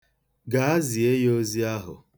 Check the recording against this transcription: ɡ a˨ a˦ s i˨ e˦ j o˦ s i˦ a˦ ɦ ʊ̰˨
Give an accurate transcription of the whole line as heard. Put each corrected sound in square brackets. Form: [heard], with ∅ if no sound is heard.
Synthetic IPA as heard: ɡ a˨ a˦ [z] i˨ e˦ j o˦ [z] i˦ a˦ ɦ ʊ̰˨